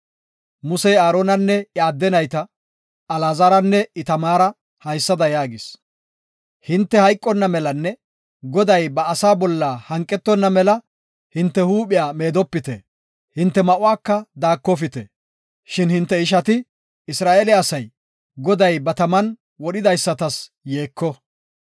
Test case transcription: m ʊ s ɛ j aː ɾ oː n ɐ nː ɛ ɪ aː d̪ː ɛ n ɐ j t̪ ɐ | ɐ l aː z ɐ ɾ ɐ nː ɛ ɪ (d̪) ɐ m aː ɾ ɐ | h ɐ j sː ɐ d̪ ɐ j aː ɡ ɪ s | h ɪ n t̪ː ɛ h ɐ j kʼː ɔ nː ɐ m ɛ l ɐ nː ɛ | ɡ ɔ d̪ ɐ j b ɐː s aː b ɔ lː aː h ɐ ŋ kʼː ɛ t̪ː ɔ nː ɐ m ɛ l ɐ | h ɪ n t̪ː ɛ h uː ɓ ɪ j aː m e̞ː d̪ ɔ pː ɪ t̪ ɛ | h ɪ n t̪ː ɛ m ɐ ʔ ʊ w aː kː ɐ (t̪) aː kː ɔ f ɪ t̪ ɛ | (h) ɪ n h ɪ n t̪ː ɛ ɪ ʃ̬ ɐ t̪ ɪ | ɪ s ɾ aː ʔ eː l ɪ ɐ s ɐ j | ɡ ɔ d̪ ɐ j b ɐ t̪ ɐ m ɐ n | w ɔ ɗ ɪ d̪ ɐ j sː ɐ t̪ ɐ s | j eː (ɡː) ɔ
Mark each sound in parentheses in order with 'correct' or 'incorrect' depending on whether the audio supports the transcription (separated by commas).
incorrect, incorrect, incorrect, incorrect